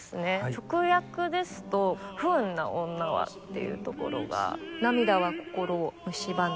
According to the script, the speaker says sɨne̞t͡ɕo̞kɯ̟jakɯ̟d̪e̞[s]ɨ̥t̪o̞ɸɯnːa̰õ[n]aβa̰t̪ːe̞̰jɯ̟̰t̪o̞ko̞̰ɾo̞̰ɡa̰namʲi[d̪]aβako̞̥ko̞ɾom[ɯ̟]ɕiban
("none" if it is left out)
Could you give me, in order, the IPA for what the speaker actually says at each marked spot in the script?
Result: s, nː, d̪, ɯ̟

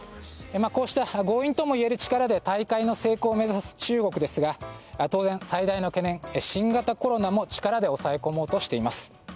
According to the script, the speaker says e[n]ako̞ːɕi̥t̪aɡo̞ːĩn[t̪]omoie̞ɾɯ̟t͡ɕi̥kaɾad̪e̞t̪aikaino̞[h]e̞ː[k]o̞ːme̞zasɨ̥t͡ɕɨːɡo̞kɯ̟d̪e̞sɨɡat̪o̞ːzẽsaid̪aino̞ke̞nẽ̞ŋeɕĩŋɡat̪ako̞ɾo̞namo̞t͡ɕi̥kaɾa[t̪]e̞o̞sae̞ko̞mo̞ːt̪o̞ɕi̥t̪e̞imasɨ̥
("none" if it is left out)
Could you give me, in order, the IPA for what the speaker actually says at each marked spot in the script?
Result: m, t̪, s, k, d̪

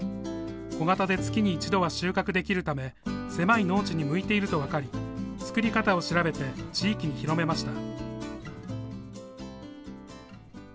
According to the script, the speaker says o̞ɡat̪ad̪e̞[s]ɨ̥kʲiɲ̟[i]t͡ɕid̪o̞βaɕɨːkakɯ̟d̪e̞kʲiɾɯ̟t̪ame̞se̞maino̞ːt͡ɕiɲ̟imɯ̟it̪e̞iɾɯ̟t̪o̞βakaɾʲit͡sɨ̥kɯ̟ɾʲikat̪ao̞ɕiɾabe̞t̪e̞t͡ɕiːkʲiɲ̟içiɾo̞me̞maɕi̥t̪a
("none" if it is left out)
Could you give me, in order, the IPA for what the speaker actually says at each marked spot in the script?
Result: t͡s, iː

